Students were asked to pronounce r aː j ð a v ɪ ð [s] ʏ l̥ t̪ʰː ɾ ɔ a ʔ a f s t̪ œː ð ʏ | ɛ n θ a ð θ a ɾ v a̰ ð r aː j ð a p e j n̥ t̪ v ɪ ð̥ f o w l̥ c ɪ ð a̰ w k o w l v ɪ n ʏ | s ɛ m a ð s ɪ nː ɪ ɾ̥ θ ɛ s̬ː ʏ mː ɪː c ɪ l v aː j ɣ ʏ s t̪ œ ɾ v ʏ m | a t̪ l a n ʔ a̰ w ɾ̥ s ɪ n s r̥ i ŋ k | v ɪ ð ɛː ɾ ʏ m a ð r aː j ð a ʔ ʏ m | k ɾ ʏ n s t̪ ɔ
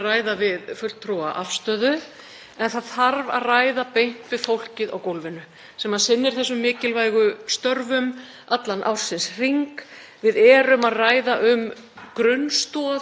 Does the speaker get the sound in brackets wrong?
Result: yes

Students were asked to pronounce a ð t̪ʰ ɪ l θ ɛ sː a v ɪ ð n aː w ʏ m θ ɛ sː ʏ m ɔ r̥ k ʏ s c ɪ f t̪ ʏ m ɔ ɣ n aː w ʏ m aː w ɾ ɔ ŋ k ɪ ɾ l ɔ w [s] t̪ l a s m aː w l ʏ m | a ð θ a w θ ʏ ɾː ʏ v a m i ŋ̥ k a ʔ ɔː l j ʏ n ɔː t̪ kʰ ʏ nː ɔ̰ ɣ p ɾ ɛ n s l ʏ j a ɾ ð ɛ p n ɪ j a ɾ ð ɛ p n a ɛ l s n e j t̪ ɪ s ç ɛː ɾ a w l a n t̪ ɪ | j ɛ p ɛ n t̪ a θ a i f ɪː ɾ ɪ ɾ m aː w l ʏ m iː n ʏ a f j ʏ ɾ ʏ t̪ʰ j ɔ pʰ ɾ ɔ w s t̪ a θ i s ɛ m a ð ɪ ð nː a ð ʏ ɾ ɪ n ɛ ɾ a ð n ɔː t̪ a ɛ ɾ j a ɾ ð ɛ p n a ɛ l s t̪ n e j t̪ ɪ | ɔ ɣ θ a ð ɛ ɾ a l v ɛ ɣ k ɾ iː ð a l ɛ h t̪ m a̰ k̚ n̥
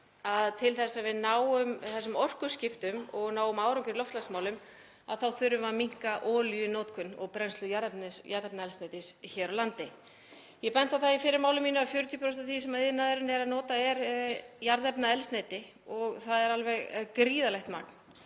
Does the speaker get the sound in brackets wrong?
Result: yes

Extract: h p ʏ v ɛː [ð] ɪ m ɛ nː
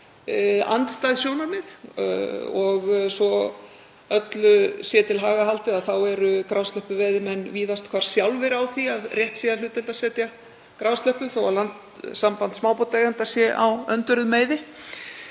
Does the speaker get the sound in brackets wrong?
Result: no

